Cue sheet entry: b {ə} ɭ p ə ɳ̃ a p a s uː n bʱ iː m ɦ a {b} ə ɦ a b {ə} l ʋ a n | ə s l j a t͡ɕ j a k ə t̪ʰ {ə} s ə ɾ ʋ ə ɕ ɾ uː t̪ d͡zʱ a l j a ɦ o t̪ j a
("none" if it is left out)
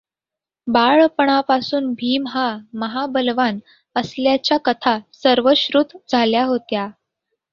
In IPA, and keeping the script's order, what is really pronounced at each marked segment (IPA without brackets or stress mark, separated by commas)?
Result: a, m, ə, a